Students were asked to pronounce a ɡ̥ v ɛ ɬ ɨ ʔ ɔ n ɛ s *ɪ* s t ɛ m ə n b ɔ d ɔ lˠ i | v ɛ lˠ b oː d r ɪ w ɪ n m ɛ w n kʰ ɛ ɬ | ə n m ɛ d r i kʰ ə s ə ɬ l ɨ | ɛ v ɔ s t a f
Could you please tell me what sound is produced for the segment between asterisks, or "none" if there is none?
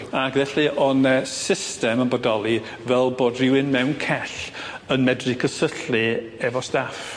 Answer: ɪ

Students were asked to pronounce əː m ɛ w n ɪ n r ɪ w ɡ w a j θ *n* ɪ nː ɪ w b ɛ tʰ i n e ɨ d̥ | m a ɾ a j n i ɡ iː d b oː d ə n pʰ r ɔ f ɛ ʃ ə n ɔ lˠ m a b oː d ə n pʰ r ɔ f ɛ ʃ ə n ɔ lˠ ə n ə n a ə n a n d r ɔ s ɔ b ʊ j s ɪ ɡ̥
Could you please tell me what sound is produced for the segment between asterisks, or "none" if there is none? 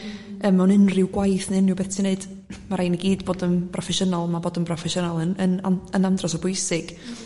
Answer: n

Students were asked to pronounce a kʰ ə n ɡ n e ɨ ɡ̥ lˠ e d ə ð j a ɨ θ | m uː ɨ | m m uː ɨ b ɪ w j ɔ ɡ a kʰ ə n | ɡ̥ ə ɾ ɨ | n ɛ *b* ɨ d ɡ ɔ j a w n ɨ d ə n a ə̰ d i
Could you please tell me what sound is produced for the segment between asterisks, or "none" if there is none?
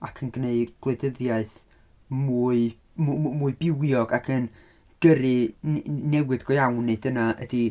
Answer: w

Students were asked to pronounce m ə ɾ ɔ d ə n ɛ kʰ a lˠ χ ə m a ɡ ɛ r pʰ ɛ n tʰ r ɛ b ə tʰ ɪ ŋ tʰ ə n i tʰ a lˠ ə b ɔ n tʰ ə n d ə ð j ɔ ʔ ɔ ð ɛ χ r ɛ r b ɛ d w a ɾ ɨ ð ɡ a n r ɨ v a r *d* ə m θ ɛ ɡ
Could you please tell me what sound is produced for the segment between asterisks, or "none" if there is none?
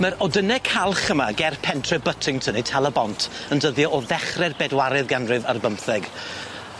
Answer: b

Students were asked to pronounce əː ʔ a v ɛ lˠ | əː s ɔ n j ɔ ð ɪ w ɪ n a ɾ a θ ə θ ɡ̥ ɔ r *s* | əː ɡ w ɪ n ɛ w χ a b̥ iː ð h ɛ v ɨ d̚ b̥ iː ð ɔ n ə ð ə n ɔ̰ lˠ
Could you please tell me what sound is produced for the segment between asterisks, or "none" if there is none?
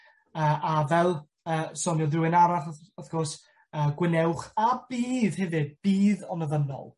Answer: s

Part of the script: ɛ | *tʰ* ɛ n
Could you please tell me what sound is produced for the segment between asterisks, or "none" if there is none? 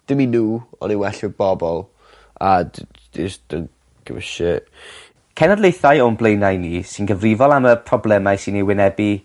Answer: kʰ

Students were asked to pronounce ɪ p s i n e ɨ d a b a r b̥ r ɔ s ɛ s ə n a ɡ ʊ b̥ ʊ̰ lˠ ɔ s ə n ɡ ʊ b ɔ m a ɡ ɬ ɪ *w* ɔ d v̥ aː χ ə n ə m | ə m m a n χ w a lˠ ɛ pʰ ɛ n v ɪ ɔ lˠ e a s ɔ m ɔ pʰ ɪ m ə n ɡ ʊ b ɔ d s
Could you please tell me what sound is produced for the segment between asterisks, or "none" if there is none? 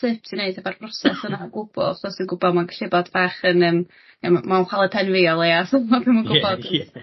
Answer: b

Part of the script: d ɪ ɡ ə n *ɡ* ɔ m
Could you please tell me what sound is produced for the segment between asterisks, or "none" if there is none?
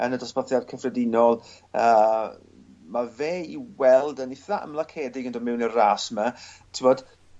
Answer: d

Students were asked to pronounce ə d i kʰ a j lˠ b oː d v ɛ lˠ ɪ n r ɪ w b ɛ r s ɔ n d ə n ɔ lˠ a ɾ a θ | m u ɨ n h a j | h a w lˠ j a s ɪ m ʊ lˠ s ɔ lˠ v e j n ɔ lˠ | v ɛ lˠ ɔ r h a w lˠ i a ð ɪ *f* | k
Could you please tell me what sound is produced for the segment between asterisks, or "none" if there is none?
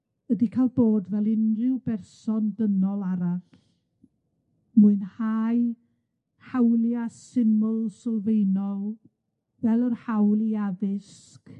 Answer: s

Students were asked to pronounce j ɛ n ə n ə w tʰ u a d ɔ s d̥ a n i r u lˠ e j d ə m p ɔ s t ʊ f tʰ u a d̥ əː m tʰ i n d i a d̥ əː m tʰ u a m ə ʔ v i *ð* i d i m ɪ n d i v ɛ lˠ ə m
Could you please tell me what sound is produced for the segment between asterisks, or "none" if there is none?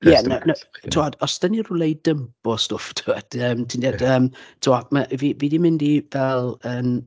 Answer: v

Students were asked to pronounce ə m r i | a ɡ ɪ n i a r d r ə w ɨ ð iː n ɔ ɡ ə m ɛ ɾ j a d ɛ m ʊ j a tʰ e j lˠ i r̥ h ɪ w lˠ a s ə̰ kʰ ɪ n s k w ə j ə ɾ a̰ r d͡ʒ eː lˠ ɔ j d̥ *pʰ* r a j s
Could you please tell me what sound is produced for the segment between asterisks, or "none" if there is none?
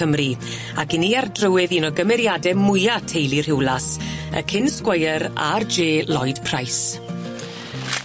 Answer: pʰ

